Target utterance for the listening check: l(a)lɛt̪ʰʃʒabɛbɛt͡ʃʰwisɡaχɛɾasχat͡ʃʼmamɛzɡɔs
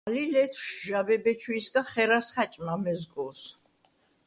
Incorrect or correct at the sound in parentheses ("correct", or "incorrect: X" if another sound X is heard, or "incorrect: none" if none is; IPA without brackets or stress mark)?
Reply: incorrect: i